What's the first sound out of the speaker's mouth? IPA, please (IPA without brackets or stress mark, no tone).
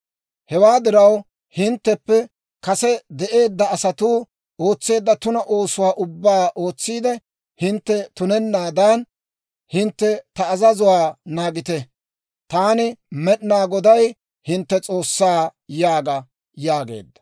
h